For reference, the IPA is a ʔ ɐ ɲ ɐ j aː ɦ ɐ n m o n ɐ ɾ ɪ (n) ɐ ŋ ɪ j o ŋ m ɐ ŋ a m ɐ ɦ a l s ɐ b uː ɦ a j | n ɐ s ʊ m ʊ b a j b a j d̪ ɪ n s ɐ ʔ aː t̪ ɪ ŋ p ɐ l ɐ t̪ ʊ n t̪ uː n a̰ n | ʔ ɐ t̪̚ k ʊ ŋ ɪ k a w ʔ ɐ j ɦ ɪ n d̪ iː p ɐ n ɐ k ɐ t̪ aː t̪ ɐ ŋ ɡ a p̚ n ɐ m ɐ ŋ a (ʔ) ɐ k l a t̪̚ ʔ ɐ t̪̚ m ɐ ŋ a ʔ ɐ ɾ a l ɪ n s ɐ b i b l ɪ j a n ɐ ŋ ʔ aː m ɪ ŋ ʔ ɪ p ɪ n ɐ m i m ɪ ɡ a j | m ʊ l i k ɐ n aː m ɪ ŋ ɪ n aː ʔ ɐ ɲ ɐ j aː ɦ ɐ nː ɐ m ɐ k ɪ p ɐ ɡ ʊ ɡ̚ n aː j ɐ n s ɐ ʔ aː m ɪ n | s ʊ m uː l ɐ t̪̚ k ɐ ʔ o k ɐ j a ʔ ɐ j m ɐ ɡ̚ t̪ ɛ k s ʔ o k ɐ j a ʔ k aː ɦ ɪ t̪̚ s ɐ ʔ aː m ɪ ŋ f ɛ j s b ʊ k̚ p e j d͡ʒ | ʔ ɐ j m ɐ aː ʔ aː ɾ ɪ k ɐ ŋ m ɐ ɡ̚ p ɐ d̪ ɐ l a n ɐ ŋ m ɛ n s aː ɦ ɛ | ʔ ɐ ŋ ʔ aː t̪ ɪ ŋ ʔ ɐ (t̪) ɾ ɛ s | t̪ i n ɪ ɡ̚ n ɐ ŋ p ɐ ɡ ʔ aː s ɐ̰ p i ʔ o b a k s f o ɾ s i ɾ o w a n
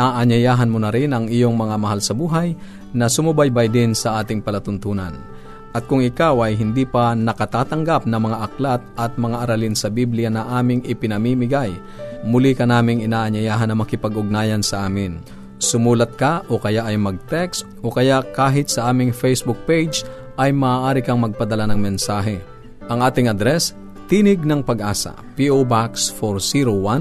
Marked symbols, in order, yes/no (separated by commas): yes, yes, no